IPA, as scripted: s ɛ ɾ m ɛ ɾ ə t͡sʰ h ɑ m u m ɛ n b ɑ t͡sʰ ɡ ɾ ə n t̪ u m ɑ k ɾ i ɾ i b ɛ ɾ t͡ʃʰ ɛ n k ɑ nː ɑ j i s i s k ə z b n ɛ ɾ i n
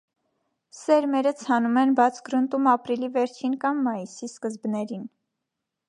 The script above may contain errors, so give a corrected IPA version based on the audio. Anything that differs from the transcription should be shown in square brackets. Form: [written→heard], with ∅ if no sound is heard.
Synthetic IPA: s ɛ ɾ m ɛ ɾ ə t͡sʰ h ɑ [m→n] u m ɛ n b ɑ t͡sʰ ɡ ɾ ə n t̪ u m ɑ [k→p] ɾ i [ɾ→l] i [b→v] ɛ ɾ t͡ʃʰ [ɛ→i] n k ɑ [nː→mː] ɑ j i s i s k ə z b n ɛ ɾ i n